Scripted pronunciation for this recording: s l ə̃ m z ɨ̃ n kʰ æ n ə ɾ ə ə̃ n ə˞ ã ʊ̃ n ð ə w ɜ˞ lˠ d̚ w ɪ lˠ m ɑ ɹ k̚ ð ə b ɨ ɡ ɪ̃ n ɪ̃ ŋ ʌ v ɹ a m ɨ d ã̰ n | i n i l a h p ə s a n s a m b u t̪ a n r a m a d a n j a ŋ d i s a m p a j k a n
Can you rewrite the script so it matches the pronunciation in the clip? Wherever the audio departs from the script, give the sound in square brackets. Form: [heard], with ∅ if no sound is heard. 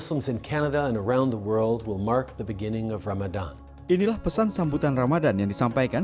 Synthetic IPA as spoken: s l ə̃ m z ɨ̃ n kʰ æ n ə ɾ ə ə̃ n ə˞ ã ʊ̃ n ð ə w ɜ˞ lˠ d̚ w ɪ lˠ m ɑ ɹ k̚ ð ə b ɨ ɡ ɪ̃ n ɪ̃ ŋ ʌ v ɹ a m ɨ d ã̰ n | i n i l a h p ə s a n s a m b u t̪ a n r a m a d a n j a ŋ d i s a m p a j k a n

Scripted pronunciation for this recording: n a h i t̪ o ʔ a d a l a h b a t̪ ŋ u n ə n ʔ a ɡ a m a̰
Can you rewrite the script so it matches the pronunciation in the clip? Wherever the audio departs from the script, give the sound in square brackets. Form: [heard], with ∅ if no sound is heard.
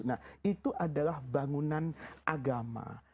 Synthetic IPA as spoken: n a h i t̪ [u] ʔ a d a l a h b a [∅] ŋ u n [a] n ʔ a ɡ a m a̰

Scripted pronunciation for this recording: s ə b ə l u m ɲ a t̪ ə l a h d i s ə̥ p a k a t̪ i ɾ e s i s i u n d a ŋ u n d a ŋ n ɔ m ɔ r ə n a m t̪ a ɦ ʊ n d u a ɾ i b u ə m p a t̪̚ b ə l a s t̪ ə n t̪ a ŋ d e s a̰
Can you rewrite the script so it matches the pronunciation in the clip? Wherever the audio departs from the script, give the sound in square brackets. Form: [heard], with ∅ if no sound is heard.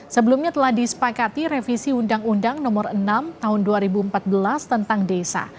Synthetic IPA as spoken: s ə b ə l u m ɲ a t̪ ə l a h d i s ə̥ p a k a t̪ i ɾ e [f] i s i u n d a ŋ u n d a ŋ n ɔ m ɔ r ə n a m t̪ a ɦ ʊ n d u a ɾ i b u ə m p a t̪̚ b ə l a s t̪ ə n t̪ a ŋ d e s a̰

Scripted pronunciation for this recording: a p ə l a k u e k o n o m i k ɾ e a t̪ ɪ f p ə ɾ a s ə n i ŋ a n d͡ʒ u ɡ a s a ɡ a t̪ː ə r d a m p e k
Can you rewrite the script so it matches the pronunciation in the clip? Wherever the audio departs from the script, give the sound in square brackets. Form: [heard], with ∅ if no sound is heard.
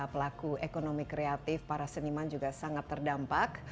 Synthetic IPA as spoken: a p ə l a k u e k o n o m i k ɾ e a t̪ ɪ f p [a] ɾ a s ə n i [m] a n d͡ʒ u ɡ a s a [ŋ] a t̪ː ə r d a m p [a] k

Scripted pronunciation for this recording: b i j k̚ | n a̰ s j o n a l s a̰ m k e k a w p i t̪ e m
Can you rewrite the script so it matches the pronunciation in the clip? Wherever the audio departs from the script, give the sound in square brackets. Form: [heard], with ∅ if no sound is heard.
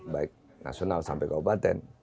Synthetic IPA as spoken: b [a] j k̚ | n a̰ s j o n a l s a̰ m [p] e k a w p [a] t̪ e [n]

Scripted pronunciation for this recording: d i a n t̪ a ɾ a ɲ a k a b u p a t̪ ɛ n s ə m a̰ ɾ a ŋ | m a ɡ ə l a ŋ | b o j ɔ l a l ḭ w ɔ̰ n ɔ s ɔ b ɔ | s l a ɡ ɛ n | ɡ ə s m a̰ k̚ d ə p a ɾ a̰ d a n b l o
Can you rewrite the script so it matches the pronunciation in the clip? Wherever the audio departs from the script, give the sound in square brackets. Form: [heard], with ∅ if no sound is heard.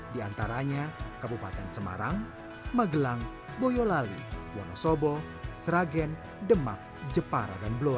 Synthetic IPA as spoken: d i a n t̪ a ɾ a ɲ a k a b u p a t̪ ɛ n s ə m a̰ ɾ a ŋ | m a ɡ ə l a ŋ | b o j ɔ l a l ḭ w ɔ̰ n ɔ s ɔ b ɔ | s [ɾ] a ɡ ɛ n | [d] ə [∅] m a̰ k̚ [d͡ʒ] ə p a ɾ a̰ d a n b l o

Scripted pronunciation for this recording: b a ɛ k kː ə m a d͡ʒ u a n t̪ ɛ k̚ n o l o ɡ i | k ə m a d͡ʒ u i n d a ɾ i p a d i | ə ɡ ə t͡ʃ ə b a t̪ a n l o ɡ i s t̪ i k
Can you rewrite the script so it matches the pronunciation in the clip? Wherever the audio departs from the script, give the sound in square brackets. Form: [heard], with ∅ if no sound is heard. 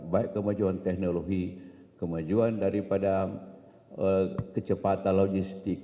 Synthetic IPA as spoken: b a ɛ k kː ə m a d͡ʒ u a n t̪ ɛ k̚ n o l o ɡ i | k ə m a d͡ʒ u [a] n d a ɾ i p a d [a] | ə [k] ə t͡ʃ ə [p] a t̪ a n l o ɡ i s t̪ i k

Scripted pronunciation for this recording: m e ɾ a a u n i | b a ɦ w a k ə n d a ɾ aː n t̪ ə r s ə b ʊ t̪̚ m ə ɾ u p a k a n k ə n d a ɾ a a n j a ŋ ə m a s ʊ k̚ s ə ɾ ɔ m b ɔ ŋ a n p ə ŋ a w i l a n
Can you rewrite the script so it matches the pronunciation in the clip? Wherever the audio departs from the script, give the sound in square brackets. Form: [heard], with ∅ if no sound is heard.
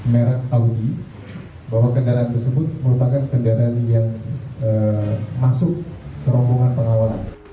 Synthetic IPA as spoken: m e ɾ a a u [d] i | b a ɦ w a k ə n d a ɾ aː n t̪ ə r s ə b ʊ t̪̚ m ə ɾ u p a k a n k ə n d a ɾ a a n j a ŋ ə m a s ʊ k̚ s ə ɾ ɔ m b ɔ ŋ a n p ə ŋ a w [a] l a n

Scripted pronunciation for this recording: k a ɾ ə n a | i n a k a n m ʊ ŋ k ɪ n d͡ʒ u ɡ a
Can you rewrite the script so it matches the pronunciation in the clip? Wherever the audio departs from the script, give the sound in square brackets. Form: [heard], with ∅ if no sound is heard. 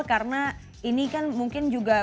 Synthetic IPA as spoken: k a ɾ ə n a | i n [i] k a n m [u] ŋ k ɪ n d͡ʒ u ɡ a

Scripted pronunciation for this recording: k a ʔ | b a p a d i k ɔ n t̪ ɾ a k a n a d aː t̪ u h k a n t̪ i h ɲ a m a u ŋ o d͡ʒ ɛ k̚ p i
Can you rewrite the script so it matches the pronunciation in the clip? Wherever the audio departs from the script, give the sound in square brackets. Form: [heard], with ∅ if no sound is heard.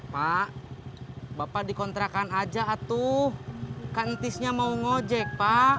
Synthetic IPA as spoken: [p] a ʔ | b a p a d i k ɔ n t̪ ɾ a k a n a [d͡ʒ] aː t̪ u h k a n t̪ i [s] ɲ a m a u ŋ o d͡ʒ ɛ k̚ p [a]

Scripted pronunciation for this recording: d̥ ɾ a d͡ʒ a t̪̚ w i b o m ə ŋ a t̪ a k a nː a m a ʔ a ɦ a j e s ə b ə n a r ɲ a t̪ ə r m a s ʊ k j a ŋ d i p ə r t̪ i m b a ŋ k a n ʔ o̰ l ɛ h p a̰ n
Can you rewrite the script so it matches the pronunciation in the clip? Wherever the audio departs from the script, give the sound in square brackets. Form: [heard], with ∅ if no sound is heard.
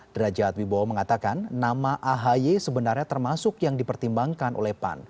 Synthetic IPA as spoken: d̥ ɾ a d͡ʒ a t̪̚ w i b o m ə ŋ a t̪ a k a nː a m a ʔ a ɦ a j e s ə b ə n a r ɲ a t̪ ə r m a s ʊ k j a ŋ d i p ə r t̪ i m b a ŋ k a n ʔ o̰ l ɛ h p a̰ n

